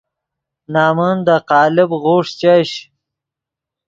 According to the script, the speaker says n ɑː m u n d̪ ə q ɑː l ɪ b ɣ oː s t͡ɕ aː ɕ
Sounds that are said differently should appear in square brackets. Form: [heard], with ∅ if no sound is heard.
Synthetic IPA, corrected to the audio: n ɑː m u n d̪ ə q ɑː l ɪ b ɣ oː [ʂ] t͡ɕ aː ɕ